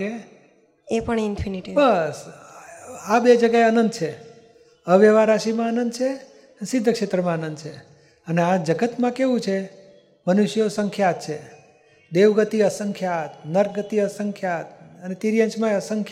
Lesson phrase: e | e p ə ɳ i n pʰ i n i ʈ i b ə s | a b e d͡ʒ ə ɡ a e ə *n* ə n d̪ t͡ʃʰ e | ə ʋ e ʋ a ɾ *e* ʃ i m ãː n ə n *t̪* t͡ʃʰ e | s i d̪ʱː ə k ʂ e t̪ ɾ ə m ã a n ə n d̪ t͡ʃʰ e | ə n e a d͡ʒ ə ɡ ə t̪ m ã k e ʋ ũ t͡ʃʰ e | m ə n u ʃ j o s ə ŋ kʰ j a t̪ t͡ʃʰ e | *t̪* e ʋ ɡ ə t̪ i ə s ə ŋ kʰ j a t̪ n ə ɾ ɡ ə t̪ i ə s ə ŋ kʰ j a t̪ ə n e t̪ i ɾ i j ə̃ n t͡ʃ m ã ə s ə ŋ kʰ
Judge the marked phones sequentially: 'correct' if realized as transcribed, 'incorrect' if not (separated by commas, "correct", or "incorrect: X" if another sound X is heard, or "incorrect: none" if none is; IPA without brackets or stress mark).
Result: correct, incorrect: a, incorrect: d̪, incorrect: d̪